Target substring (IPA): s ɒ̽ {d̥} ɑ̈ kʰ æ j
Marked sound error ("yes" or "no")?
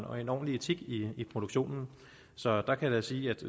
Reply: no